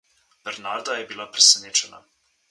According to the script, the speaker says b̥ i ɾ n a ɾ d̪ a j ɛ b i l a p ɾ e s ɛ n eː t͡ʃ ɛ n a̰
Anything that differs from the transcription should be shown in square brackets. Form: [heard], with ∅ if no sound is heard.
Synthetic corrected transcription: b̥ [ɛ] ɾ n a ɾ d̪ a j ɛ b i l a p ɾ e s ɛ n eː t͡ʃ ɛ n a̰